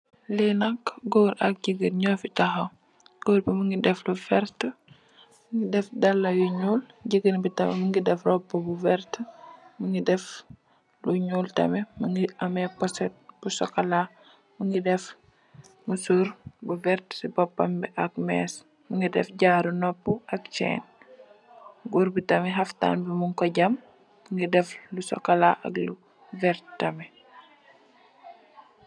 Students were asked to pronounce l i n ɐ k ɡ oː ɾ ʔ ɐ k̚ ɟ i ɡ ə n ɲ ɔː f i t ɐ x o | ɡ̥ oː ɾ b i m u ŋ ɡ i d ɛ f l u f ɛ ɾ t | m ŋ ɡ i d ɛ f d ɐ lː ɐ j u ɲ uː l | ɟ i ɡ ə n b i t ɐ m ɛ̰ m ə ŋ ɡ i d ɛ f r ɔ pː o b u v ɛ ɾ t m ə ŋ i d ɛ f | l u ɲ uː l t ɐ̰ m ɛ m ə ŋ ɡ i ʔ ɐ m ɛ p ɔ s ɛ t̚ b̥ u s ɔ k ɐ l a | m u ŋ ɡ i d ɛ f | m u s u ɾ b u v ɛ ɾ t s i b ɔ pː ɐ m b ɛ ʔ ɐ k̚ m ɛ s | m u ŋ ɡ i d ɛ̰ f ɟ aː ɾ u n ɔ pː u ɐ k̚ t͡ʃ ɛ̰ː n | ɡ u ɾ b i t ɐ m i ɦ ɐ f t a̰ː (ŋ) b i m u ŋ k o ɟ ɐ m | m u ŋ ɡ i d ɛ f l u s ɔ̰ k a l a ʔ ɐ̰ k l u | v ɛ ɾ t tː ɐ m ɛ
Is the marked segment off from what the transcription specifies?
yes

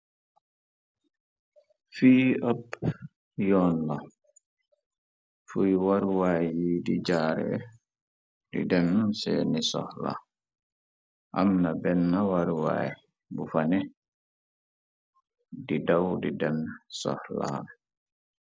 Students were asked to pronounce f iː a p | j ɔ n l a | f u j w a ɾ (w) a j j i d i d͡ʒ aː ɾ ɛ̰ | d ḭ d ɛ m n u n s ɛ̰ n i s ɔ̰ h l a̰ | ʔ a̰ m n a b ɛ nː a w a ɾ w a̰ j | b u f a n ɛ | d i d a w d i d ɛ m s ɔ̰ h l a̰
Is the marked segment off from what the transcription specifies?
no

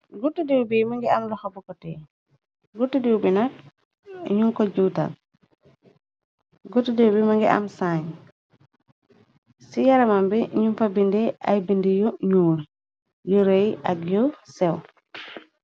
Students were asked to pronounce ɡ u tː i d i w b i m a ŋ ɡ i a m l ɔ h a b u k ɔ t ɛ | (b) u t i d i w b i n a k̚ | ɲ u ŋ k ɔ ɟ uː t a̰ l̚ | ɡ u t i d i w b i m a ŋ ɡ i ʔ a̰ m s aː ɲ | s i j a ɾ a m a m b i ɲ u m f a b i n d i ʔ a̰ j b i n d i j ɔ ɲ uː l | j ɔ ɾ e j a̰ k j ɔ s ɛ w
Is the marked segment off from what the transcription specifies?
yes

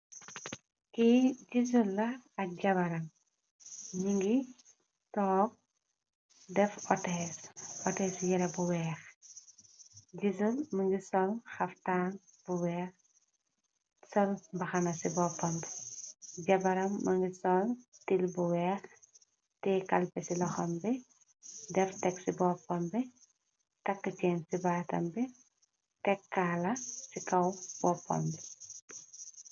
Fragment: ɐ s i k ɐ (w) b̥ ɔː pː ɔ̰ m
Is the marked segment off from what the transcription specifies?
no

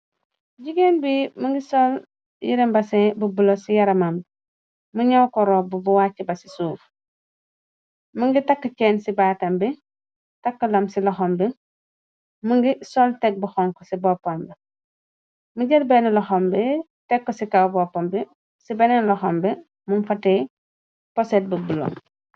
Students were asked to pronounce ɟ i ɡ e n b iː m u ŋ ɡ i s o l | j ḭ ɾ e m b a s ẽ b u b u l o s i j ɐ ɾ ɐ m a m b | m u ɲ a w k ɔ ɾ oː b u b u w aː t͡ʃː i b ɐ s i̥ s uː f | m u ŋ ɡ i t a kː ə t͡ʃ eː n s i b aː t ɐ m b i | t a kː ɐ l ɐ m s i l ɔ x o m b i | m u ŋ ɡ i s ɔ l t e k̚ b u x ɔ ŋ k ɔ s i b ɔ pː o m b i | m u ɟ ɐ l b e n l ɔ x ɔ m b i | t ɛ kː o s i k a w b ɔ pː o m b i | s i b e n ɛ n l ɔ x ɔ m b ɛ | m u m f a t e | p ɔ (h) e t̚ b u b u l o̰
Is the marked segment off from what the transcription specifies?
yes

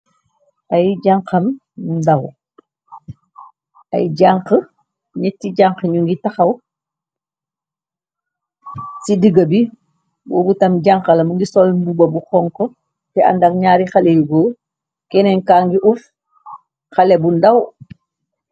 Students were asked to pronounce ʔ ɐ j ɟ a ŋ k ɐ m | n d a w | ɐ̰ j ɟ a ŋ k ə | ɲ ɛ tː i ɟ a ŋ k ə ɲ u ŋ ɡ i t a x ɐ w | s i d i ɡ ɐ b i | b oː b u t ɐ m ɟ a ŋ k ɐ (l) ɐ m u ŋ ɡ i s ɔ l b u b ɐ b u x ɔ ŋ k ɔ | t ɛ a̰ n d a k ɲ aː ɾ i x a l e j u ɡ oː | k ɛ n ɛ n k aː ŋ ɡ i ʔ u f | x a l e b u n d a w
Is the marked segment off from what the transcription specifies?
no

